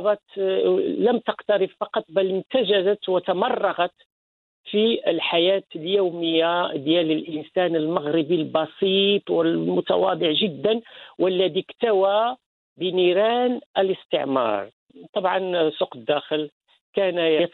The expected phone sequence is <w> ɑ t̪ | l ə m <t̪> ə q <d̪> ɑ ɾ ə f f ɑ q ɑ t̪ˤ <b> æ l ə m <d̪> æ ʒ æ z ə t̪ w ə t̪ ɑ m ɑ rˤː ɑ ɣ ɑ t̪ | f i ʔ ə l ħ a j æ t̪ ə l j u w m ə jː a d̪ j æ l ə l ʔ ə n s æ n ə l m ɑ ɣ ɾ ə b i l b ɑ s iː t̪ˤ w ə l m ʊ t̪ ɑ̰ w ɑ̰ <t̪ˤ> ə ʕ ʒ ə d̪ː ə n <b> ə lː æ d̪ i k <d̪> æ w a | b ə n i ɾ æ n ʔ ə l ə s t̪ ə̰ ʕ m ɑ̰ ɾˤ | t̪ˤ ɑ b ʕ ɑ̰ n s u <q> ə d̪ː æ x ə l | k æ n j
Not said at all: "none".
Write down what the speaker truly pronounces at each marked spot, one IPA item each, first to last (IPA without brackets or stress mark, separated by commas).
b, t̪, t̪, b, t̪, d̪ˤ, w, t̪, q